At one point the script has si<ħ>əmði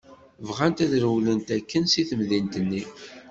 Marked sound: incorrect: θ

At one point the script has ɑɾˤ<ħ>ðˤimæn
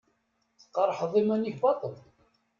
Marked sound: correct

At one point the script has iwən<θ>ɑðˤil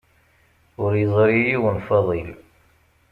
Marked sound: incorrect: f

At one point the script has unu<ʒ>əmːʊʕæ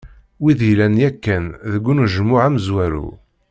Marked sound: correct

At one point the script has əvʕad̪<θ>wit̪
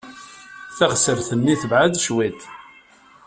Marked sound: incorrect: ʃ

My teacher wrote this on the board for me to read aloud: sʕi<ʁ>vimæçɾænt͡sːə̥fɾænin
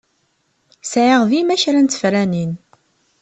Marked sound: correct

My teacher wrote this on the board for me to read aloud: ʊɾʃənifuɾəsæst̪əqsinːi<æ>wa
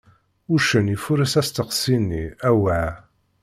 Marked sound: correct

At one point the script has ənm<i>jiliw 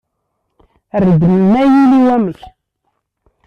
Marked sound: incorrect: æ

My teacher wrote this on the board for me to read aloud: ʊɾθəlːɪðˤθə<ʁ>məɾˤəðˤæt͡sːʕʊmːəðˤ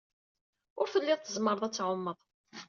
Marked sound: incorrect: z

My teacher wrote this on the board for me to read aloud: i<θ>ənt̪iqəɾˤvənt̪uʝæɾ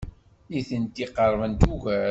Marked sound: correct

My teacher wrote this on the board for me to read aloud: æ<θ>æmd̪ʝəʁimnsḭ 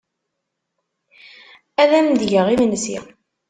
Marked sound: incorrect: ð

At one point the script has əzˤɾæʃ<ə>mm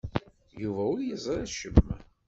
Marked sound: correct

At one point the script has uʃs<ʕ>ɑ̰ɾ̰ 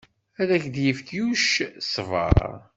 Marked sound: incorrect: v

